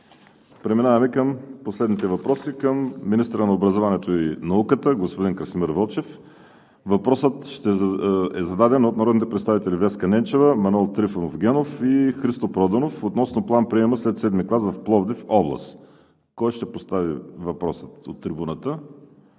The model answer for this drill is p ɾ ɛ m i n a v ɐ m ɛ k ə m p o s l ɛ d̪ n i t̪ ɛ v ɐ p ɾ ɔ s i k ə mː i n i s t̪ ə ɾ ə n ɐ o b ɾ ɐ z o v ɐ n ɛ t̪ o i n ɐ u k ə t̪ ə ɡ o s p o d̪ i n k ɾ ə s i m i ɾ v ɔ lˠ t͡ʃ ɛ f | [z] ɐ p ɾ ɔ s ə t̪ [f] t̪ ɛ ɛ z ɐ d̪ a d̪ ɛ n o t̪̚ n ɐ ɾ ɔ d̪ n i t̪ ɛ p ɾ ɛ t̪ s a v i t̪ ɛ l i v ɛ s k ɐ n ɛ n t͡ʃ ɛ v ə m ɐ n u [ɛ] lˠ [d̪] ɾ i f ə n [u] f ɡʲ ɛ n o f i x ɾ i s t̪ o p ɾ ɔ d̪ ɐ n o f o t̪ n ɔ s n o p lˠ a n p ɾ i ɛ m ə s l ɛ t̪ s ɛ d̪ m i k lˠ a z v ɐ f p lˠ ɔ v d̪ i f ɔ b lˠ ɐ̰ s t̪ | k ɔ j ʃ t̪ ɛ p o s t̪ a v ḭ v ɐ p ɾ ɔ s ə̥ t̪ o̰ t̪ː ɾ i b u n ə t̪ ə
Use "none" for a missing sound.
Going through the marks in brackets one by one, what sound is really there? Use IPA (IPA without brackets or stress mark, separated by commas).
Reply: v, ʃ, ɛ, t̪, o